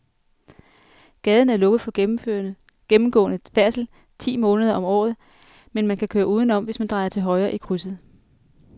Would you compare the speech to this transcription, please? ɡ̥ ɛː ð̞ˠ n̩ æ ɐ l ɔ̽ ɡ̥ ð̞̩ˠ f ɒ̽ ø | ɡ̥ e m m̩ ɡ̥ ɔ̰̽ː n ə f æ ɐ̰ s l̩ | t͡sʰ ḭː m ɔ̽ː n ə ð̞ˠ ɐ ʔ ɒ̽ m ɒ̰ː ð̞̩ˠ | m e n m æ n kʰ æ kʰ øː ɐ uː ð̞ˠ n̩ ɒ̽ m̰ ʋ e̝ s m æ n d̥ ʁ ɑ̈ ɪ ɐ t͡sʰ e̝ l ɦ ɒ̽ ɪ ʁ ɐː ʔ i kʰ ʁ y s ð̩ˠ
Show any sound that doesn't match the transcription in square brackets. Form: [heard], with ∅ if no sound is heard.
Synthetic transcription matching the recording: ɡ̥ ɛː ð̞ˠ n̩ æ ɐ l ɔ̽ ɡ̥ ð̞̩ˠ f ɒ̽ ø | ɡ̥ e m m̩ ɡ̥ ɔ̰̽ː n ə f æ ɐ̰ s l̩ | t͡sʰ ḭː m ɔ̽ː n ə ð̞ˠ ɐ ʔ ɒ̽ m ɒ̰ː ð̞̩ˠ | m e n m æ n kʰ æ kʰ øː ɐ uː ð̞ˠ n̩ ɒ̽ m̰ ʋ e̝ s m æ n d̥ ʁ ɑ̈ ɪ ɐ t͡sʰ e̝ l ɦ ɒ̽ ɪ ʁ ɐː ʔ i kʰ ʁ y s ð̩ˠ

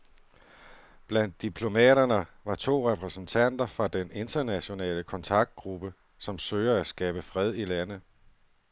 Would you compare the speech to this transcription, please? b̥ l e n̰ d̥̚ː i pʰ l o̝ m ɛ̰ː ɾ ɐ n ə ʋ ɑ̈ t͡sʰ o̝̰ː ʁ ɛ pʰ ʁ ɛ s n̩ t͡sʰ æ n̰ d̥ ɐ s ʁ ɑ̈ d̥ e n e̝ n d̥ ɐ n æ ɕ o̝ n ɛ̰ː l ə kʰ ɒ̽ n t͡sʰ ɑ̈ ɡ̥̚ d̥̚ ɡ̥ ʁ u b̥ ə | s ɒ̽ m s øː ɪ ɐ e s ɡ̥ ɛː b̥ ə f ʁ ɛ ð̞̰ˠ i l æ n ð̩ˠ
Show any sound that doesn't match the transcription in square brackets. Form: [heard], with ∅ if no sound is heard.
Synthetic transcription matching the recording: b̥ l [æ] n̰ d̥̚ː i pʰ l o̝ m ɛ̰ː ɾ ɐ n ə ʋ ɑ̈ t͡sʰ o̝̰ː ʁ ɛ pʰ ʁ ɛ s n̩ t͡sʰ æ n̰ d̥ ɐ [f] ʁ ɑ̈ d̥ e n e̝ n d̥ ɐ n æ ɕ o̝ n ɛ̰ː l ə kʰ ɒ̽ n t͡sʰ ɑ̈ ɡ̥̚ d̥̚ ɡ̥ ʁ u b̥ ə | s ɒ̽ m s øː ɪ ɐ [æ] s ɡ̥ ɛː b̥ ə f ʁ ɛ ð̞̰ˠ i l æ n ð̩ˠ

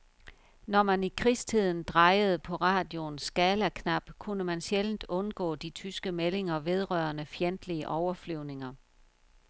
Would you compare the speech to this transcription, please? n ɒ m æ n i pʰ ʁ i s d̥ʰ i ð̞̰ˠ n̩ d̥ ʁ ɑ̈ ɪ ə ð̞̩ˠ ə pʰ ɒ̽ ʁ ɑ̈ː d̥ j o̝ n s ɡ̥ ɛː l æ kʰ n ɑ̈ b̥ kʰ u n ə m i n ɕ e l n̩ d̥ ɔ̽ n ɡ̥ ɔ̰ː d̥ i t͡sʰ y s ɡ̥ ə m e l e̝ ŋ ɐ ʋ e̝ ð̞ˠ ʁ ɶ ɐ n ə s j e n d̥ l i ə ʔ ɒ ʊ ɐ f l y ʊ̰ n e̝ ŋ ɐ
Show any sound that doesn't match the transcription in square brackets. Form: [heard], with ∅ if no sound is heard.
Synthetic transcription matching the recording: n ɒ m æ n i [kʰ] ʁ i s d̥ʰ i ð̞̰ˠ n̩ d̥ ʁ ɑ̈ ɪ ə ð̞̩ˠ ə pʰ ɒ̽ ʁ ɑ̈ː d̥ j o̝ n s ɡ̥ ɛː l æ kʰ n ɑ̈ b̥ kʰ u n ə m [æ] n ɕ e l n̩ d̥ ɔ̽ n ɡ̥ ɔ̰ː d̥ i t͡sʰ y s ɡ̥ ə m e l e̝ ŋ ɐ ʋ e̝ ð̞ˠ ʁ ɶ ɐ n ə [f] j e n d̥ l i ə ʔ ɒ ʊ ɐ f l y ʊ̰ n e̝ ŋ ɐ

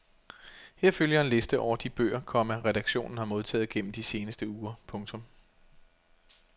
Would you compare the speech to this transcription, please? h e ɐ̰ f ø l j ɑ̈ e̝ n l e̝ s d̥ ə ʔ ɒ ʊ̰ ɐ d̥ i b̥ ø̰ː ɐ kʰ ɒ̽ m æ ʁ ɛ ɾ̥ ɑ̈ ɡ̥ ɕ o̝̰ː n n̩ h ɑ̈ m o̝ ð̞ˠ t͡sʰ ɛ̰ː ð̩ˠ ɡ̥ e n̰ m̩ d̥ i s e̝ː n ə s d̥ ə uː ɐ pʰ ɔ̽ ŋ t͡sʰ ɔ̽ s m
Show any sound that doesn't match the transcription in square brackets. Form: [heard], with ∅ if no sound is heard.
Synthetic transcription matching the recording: h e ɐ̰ f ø l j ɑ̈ e̝ n l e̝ s d̥ ə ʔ ɒ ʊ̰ ɐ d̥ i b̥ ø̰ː ɐ kʰ ɒ̽ m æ ʁ ɛ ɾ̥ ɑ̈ ɡ̥ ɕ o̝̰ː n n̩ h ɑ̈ m o̝ ð̞ˠ t͡sʰ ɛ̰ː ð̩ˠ ɡ̥ e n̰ m̩ d̥ i s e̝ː n ə s d̥ ə uː ɐ pʰ ɔ̽ ŋ t͡sʰ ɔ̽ [∅] m

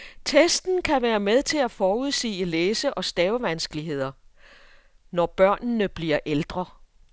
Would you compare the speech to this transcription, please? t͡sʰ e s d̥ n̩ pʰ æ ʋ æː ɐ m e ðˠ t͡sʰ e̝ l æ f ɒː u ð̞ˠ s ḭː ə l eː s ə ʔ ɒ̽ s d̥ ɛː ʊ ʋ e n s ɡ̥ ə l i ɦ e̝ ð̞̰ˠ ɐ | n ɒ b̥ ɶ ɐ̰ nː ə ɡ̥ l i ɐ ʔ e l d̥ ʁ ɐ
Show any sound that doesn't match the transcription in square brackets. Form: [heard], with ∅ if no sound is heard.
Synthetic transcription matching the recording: t͡sʰ e s d̥ n̩ [kʰ] æ ʋ æː ɐ m e ðˠ t͡sʰ e̝ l æ f ɒː u ð̞ˠ s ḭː ə l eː s ə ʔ ɒ̽ s d̥ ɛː ʊ ʋ [æ] n s ɡ̥ ə l i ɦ e̝ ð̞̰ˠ ɐ | n ɒ b̥ ɶ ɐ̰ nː ə [b̥] l i ɐ ʔ e l d̥ ʁ ɐ

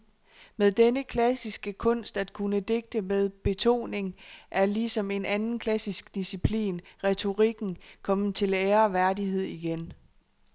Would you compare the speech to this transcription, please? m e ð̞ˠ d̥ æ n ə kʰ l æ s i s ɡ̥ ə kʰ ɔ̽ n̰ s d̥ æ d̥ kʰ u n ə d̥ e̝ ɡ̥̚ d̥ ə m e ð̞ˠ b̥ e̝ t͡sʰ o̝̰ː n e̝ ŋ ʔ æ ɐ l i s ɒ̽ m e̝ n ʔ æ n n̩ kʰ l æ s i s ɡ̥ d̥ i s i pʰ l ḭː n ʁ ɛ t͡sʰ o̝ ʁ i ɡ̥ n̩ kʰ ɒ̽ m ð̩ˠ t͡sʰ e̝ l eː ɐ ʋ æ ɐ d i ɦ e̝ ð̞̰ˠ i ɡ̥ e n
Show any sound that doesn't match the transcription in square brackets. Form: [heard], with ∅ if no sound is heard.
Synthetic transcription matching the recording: m e ð̞ˠ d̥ [e] n ə kʰ l æ s i s ɡ̥ ə kʰ ɔ̽ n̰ s d̥ æ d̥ kʰ u n ə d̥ e̝ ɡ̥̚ d̥ ə m e ð̞ˠ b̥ e̝ t͡sʰ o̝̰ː n e̝ ŋ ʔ æ ɐ l i s ɒ̽ m e̝ n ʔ æ n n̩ kʰ l æ s i s ɡ̥ d̥ i s i pʰ l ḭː n ʁ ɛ t͡sʰ o̝ ʁ i ɡ̥ n̩ kʰ ɒ̽ m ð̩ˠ t͡sʰ e̝ l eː ɐ ʋ æ ɐ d i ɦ e̝ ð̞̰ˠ i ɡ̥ e n

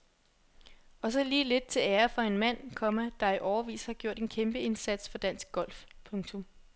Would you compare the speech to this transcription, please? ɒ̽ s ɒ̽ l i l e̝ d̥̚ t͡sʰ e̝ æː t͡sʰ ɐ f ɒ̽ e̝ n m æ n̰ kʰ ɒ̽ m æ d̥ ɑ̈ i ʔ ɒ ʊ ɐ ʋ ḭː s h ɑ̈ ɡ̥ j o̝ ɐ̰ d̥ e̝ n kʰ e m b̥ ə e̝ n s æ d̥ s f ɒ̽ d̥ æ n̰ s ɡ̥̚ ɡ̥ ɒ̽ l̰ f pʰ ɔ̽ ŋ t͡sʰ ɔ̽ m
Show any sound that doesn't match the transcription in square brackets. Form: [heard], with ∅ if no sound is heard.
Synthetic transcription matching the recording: ɒ̽ s ɒ̽ l [iː] l e̝ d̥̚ t͡sʰ e̝ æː [∅] ɐ f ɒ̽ e̝ n m æ n̰ kʰ ɒ̽ m æ d̥ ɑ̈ i ʔ ɒ ʊ ɐ ʋ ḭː s h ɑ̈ ɡ̥ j o̝ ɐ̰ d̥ e̝ n kʰ e m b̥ ə e̝ n s æ d̥ s f ɒ̽ d̥ æ n̰ s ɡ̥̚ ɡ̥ ɒ̽ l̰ f pʰ ɔ̽ ŋ t͡sʰ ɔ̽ m

